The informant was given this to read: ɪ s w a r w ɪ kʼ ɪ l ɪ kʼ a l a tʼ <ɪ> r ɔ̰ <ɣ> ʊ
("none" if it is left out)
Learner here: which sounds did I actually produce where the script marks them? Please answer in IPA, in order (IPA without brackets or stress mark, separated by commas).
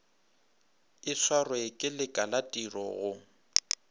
i, ɣ